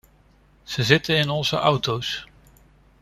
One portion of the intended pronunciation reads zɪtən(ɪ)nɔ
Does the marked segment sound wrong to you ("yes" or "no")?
no